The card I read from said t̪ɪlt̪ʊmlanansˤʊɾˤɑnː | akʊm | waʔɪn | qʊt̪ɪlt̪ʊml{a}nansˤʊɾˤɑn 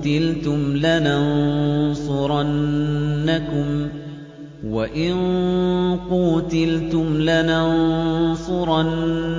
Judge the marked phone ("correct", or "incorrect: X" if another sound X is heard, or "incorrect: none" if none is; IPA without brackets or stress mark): correct